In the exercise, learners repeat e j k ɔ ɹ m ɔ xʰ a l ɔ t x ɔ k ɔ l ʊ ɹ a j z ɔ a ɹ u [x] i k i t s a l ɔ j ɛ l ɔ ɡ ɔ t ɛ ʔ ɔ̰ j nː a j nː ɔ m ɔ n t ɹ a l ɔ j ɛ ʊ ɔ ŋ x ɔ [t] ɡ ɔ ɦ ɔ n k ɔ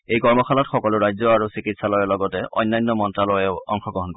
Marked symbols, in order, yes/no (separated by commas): no, no